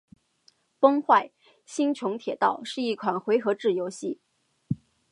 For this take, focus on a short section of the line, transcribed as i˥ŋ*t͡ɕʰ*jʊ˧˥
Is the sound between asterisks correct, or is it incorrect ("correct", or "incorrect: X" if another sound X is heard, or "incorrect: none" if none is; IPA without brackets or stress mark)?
correct